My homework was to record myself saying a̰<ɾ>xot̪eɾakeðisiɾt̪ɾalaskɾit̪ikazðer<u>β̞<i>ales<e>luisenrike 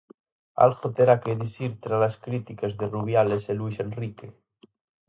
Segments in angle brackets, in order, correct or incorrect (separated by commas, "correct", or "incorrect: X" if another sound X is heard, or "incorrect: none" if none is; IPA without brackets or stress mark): incorrect: l, correct, incorrect: j, correct